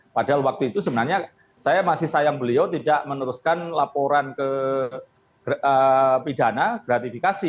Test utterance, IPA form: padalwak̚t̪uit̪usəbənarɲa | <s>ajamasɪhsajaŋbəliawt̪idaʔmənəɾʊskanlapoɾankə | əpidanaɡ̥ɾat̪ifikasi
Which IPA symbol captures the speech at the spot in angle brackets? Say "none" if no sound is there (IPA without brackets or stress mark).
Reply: s